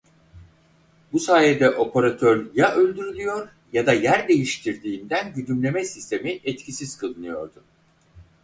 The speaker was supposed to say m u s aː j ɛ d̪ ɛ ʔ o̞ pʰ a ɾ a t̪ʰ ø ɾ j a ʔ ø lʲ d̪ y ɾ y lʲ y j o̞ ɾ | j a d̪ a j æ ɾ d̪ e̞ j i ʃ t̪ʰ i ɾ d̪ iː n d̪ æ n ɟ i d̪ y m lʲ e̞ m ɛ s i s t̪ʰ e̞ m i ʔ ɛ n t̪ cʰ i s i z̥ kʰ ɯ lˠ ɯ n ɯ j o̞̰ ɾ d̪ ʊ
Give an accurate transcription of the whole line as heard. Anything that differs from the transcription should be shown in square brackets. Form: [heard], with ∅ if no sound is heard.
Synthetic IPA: [b] u s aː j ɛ d̪ ɛ ʔ o̞ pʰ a ɾ a t̪ʰ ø ɾ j a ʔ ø lʲ d̪ y ɾ y lʲ y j o̞ ɾ | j a d̪ a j æ ɾ d̪ e̞ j i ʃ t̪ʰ i ɾ d̪ iː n d̪ æ n ɟ [y] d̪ y m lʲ e̞ m ɛ s i s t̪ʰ e̞ m i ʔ ɛ [∅] t̪ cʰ i s i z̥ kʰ ɯ lˠ ɯ n ɯ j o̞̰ ɾ d̪ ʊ